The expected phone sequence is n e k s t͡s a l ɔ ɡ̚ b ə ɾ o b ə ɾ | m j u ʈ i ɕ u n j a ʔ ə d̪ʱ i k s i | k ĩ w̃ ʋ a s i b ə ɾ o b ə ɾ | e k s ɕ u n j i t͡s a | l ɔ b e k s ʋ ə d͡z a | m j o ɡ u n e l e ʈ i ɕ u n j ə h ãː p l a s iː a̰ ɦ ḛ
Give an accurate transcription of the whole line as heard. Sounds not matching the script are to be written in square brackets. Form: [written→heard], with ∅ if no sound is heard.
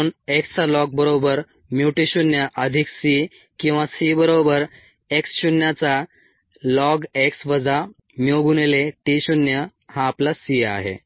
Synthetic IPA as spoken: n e k s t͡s a l ɔ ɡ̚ b ə ɾ o b ə ɾ | m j u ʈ i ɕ u n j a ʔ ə d̪ʱ i k s i | k ĩ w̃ ʋ a s i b ə ɾ o b ə ɾ | e k s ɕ u n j [i→a] t͡s a | l ɔ [b→ɡ] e k s ʋ ə d͡z a | m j o ɡ u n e l e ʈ i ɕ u n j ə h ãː p l a s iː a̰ ɦ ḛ